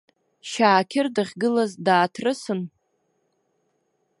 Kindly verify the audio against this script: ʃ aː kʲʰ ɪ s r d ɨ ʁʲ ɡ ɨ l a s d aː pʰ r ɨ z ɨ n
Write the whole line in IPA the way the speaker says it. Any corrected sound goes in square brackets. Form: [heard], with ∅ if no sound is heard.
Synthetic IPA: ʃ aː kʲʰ ɪ [∅] r d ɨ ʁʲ ɡ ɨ l a [z] d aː [tʰ] r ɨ [s] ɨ n

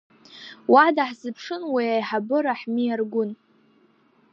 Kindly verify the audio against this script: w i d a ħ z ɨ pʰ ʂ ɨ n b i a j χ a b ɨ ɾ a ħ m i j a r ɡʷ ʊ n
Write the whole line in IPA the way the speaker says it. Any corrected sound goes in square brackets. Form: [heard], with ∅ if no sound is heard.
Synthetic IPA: w [a] d a ħ z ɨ pʰ ʂ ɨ n [w] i a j [ħ] a b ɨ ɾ a ħ m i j a r ɡʷ ʊ n

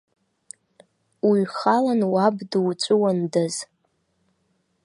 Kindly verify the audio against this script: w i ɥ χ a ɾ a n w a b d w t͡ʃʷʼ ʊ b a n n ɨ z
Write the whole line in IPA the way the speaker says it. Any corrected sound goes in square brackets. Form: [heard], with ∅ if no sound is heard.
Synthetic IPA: w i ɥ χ a [l] a n w a b d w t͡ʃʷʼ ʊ [w] a n [d] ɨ z

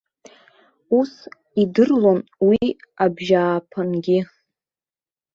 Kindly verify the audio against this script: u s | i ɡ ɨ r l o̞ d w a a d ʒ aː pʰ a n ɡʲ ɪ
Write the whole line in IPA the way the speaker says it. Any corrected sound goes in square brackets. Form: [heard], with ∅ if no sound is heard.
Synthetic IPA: u s | i [d] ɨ r l o̞ [n] w [i] a [b] ʒ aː pʰ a n ɡʲ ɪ

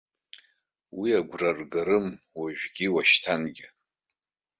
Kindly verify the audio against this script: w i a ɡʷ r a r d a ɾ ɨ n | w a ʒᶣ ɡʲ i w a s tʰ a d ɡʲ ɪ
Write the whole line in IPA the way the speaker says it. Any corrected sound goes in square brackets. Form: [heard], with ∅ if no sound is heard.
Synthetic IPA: w i a ɡʷ r a r [ɡ] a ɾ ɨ [m] | w a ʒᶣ ɡʲ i w a [ʃ] tʰ a [n] ɡʲ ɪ

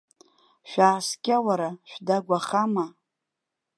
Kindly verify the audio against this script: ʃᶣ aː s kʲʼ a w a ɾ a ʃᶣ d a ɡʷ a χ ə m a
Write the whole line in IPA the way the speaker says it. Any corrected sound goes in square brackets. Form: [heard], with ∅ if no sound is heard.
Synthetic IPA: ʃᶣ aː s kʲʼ a w a ɾ a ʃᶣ d a ɡʷ a χ [a] m a

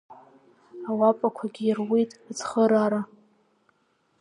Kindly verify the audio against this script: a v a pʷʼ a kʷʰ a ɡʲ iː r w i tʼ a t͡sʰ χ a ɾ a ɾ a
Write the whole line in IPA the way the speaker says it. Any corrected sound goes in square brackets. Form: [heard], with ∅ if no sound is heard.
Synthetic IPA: a [w] a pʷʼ a kʷʰ a ɡʲ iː r w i tʼ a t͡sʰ χ [ə] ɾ a ɾ a

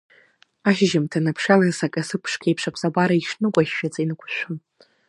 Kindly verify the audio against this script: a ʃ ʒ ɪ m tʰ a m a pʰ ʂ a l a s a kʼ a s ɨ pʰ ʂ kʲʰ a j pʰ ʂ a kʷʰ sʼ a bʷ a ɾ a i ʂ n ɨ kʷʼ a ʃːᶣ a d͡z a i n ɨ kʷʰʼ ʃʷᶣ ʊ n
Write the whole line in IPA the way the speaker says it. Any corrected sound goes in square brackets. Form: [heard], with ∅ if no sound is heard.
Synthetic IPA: a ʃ ʒ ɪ m tʰ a [n] a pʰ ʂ a l a s a kʼ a s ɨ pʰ ʂ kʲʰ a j pʰ ʂ a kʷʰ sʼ a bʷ a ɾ a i ʂ n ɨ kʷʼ a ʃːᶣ a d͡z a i n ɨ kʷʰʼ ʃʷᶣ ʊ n

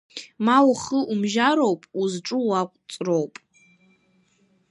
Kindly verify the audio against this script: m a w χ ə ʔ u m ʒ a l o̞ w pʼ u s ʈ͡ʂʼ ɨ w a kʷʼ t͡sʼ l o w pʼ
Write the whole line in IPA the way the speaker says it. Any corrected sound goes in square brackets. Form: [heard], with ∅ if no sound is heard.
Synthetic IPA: m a w χ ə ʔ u m ʒ a [ɾ] o̞ w pʼ u [z] ʈ͡ʂʼ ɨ w a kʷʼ t͡sʼ [r] o w pʼ

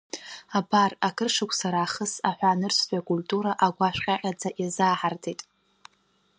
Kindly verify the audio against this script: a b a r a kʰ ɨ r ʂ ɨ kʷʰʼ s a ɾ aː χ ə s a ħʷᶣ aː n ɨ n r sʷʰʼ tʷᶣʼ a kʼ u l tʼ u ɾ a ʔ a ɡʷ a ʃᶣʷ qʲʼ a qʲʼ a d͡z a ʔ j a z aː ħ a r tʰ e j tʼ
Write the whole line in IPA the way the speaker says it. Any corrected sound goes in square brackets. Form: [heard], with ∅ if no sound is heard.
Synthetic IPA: a b a r a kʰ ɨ r ʂ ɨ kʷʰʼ s a ɾ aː χ ə s a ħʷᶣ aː n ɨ [∅] r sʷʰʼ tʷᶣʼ a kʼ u l tʼ u ɾ a ʔ a ɡʷ a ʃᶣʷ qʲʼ a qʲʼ a d͡z a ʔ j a z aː ħ a r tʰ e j tʼ

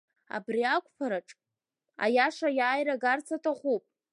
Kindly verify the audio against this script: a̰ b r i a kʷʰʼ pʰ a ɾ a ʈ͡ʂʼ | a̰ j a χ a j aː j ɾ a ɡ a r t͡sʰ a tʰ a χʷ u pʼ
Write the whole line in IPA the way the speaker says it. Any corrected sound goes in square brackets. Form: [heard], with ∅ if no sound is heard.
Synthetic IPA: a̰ b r i a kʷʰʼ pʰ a ɾ a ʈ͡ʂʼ | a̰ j a [ʂ] a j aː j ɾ a ɡ a r t͡sʰ a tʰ a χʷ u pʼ

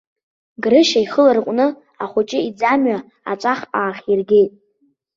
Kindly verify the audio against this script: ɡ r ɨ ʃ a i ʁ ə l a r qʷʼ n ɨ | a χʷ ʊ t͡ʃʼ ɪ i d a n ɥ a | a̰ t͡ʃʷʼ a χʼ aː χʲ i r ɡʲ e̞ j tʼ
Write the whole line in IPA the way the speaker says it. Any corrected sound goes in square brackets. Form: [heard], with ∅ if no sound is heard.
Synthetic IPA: ɡ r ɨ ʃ a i [χ] ə l a r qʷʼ n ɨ | a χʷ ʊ t͡ʃʼ ɪ i [d͡z] a [m] ɥ a | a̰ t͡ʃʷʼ a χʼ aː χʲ i r ɡʲ e̞ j tʼ

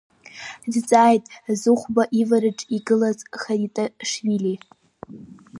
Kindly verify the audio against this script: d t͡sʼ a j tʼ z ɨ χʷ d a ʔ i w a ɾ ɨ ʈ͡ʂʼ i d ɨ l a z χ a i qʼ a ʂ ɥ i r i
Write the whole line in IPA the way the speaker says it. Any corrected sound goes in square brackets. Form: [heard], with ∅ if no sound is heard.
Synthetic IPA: d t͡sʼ a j tʼ z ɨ χʷ [b] a ʔ i [v] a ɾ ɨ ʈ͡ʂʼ i [ɡ] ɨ l a z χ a i [tʼ] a ʂ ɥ i [l] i

